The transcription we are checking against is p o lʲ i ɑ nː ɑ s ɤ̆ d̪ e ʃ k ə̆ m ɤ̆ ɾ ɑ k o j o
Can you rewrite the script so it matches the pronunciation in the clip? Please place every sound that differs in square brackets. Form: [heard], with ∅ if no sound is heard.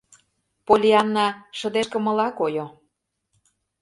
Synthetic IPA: p o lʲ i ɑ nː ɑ [ʃ] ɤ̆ d̪ e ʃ k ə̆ m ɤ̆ [l] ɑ k o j o